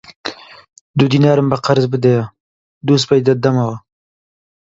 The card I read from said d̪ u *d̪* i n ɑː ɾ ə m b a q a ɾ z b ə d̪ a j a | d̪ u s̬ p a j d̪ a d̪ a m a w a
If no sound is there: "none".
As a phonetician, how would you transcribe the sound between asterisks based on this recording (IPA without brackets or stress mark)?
d̪